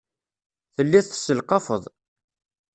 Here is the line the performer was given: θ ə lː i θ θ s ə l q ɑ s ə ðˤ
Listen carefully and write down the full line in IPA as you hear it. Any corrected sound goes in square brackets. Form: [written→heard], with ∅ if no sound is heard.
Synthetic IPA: θ ə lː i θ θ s ə l q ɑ [s→f] ə ðˤ